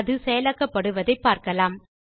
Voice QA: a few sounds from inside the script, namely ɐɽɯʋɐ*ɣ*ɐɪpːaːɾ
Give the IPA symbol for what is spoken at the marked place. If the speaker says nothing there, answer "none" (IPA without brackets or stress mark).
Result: ð